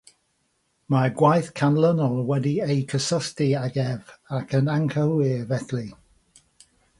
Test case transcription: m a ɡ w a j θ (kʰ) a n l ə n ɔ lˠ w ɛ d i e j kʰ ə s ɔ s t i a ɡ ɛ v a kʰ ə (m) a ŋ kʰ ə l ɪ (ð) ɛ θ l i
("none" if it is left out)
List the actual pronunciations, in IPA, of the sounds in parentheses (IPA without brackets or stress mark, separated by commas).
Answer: kʰ, n, v